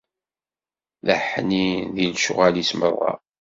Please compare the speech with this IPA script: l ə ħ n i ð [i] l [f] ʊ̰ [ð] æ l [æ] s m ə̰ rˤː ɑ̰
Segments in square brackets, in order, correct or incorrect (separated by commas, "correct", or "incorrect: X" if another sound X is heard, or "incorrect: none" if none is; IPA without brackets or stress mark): correct, incorrect: ʃ, incorrect: ʁ, incorrect: i